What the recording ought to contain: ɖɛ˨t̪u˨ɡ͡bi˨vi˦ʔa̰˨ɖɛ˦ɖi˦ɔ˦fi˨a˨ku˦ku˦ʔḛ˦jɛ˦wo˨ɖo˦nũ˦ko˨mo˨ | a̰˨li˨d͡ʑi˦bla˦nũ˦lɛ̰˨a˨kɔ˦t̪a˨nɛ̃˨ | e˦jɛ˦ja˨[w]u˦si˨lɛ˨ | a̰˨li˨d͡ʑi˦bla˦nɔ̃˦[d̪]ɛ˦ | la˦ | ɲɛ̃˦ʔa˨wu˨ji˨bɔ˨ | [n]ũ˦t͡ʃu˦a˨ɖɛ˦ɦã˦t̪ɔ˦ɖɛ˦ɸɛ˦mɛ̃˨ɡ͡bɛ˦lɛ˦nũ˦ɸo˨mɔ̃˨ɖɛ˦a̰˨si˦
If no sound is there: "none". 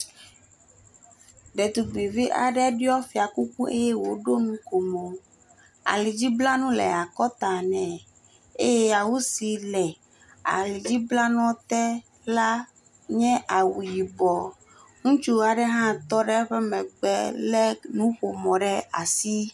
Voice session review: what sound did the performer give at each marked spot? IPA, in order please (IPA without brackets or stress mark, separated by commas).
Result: w, t̪, ŋ